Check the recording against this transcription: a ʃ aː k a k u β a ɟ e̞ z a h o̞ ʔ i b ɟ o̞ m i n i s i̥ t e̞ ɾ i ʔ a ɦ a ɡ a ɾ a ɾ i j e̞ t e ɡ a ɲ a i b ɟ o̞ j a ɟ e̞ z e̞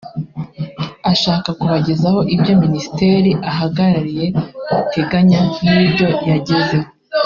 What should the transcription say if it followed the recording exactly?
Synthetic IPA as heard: a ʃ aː k a k u β a ɟ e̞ z a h o̞ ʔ i b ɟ o̞ m i n i s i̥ t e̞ ɾ i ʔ a ɦ a ɡ a ɾ a ɾ i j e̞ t e ɡ a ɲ a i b ɟ o̞ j a ɟ e̞ z e̞